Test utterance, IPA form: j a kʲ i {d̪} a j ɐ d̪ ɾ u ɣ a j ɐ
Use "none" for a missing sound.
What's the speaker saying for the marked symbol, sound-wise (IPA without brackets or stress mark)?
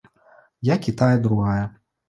t̪